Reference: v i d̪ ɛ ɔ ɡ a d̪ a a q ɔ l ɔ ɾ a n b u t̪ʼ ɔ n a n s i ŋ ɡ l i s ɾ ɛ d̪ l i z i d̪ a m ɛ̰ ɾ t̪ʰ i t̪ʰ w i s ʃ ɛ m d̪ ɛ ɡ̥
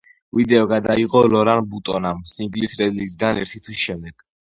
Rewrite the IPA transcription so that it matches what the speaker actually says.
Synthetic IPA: v i d̪ ɛ ɔ ɡ a d̪ a i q ɔ l ɔ ɾ a n b u t̪ʼ ɔ n a m s i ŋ ɡ l i s ɾ ɛ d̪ l i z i d̪ a n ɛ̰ ɾ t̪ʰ i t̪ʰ w i s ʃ ɛ m d̪ ɛ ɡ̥